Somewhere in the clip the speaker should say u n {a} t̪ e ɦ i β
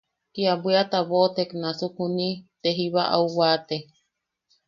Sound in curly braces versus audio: incorrect: i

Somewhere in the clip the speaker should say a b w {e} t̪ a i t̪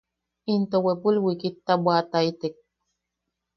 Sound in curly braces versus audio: incorrect: a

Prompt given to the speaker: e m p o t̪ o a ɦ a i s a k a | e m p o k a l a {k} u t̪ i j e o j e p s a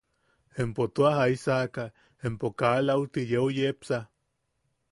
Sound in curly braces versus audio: incorrect: none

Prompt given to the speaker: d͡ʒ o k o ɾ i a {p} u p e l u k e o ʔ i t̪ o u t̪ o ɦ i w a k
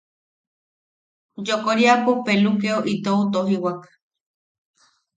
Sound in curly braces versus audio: correct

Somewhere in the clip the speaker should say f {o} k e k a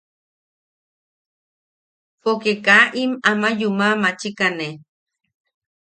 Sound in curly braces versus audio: correct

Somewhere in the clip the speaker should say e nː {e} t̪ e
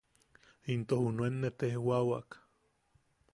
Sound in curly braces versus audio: correct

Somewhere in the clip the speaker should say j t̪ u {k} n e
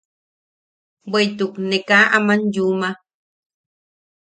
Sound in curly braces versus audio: correct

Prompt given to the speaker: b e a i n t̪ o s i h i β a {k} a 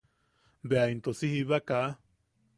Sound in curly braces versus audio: correct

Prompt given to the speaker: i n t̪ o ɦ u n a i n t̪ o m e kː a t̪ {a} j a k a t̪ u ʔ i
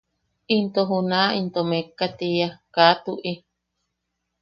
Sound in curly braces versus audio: incorrect: i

